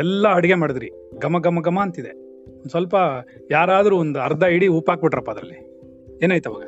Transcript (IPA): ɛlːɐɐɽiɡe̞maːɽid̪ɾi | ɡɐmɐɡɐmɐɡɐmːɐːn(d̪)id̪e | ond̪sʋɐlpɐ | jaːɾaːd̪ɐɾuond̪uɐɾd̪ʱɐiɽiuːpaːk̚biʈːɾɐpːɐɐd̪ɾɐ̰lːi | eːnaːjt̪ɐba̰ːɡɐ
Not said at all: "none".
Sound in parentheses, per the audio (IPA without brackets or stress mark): t̪